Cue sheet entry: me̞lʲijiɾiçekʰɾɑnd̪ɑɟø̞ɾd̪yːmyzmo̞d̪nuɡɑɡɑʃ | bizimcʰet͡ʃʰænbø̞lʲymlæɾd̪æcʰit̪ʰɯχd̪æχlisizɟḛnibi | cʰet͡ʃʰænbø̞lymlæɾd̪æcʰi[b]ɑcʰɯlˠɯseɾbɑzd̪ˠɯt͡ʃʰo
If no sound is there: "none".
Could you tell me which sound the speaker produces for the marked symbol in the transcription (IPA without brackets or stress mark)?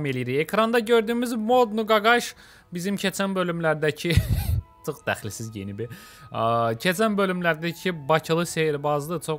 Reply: b